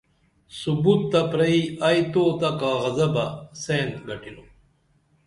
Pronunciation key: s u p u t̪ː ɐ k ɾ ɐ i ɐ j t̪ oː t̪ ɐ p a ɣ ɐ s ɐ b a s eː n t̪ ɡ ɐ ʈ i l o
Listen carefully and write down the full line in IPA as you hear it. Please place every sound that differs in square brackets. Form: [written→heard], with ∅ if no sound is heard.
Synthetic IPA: s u [p→b] u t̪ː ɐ [k→p] ɾ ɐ i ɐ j t̪ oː t̪ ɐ [p→k] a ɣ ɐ [s→z] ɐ b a s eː n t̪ ɡ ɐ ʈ i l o